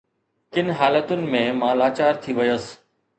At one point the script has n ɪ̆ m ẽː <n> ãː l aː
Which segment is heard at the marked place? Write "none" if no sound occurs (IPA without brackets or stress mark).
m